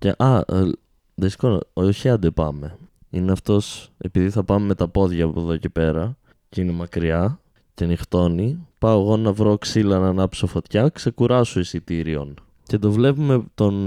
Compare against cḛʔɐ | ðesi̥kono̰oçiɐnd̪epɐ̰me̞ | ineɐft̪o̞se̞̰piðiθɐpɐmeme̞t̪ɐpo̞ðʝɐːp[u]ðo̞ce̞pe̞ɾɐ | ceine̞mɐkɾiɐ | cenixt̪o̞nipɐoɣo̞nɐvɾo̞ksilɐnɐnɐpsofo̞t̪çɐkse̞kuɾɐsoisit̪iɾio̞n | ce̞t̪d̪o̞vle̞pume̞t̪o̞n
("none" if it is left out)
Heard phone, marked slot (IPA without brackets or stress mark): o